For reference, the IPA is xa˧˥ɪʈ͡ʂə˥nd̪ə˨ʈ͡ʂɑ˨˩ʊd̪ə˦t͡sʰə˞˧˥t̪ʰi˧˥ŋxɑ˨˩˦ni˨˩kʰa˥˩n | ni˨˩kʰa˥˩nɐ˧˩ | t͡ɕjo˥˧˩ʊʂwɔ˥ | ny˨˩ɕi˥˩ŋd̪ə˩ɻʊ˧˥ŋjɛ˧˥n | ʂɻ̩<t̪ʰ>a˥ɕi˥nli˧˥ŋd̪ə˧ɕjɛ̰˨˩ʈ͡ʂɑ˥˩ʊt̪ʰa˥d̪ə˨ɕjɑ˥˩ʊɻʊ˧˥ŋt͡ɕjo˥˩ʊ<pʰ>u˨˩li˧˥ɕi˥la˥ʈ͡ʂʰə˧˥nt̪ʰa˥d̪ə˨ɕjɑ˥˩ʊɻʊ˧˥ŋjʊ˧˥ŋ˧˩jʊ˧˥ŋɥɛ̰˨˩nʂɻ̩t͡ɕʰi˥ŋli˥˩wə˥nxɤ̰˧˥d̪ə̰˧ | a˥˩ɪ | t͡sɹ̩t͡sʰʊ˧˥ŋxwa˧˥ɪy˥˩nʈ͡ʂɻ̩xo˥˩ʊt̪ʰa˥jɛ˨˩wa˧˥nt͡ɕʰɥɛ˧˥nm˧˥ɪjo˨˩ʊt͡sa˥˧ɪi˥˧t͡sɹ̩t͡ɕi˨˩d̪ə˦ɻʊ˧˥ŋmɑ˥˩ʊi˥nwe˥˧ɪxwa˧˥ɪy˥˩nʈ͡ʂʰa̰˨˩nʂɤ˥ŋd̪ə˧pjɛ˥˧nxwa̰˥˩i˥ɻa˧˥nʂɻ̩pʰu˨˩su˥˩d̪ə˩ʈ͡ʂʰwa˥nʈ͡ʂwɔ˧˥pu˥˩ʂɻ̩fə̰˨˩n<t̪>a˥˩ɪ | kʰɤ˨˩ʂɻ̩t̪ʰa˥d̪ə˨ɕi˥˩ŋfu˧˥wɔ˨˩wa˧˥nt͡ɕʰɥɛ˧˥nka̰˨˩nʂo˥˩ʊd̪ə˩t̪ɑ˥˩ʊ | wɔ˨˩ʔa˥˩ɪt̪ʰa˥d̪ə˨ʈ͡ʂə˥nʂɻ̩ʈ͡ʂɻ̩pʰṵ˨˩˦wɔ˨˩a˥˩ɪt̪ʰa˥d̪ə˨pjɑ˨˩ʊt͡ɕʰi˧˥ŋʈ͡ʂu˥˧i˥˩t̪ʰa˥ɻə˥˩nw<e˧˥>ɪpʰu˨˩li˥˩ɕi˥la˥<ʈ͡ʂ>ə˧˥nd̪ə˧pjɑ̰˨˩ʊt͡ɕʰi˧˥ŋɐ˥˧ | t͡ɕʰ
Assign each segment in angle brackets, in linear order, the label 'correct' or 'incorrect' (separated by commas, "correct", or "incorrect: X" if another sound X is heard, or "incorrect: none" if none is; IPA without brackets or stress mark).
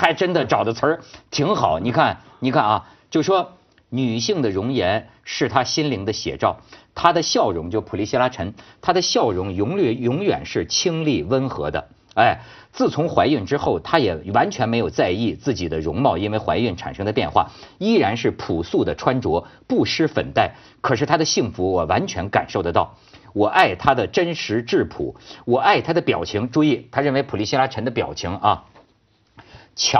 correct, correct, correct, correct, incorrect: ʈ͡ʂʰ